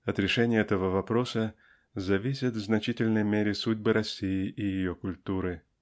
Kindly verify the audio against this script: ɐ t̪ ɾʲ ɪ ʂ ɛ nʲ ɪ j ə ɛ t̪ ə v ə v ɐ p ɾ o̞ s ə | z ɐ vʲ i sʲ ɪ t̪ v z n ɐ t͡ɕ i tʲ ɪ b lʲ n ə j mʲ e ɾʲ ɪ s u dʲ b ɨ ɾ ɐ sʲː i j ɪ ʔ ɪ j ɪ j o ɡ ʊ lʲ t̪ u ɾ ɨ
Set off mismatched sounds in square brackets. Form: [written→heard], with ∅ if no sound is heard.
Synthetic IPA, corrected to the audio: ɐ t̪ ɾʲ ɪ ʂ ɛ nʲ ɪ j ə ɛ t̪ ə v ə v ɐ p ɾ o̞ s ə | z ɐ vʲ i sʲ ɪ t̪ v z n ɐ t͡ɕ i tʲ ɪ [b→∅] lʲ n ə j mʲ e ɾʲ ɪ s u dʲ b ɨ ɾ ɐ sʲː i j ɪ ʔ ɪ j ɪ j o [ɡ→k] ʊ lʲ t̪ u ɾ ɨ